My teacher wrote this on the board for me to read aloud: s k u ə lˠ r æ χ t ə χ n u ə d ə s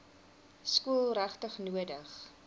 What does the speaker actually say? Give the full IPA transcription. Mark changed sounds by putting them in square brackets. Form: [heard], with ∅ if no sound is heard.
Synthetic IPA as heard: s k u ə lˠ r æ χ t ə χ n u ə d ə [χ]